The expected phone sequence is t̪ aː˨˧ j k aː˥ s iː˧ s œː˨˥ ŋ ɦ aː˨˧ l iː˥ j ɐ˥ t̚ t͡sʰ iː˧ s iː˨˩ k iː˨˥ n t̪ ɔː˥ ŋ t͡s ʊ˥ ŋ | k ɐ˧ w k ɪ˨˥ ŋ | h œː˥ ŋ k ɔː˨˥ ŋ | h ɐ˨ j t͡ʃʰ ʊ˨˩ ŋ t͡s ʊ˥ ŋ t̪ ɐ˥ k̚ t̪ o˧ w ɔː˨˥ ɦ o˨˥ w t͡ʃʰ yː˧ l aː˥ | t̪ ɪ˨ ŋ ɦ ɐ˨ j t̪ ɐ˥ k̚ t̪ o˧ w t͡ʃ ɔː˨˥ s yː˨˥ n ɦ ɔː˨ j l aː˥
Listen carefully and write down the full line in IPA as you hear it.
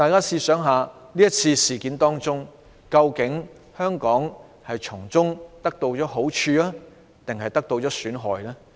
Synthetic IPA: t̪ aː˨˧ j k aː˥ s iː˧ s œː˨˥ ŋ ɦ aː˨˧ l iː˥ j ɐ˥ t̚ t͡sʰ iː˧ s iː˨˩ k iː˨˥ n t̪ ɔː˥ ŋ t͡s ʊ˥ ŋ | k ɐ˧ w k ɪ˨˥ ŋ | h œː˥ ŋ k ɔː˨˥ ŋ | h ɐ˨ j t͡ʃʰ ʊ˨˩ ŋ t͡s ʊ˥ ŋ t̪ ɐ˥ k̚ t̪ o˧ w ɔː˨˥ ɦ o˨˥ w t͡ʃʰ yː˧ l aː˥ | t̪ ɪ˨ ŋ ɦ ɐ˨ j t̪ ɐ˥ k̚ t̪ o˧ w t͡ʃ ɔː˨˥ s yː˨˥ n ɦ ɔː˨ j l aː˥